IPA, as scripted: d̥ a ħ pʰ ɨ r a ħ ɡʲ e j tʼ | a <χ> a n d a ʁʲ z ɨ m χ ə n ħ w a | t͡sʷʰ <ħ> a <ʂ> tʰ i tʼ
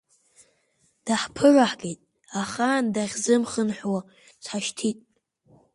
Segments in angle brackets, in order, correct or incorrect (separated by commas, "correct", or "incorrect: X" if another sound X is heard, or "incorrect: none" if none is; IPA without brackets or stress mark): correct, correct, incorrect: ʃ